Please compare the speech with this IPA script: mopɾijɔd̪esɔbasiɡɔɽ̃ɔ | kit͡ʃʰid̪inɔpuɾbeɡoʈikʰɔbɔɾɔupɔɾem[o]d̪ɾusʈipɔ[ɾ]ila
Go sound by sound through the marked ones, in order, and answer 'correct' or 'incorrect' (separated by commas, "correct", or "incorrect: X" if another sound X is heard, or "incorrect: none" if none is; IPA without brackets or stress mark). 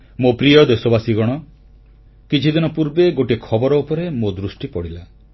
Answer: correct, incorrect: ɽ